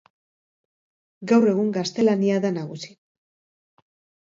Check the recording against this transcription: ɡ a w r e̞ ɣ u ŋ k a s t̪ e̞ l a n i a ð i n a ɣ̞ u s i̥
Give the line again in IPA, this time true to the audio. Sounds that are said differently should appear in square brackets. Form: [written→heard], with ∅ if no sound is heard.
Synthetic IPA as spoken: ɡ a w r e̞ ɣ u ŋ [k→ɡ] a s t̪ e̞ l a n i a ð [i→a] n a ɣ̞ u s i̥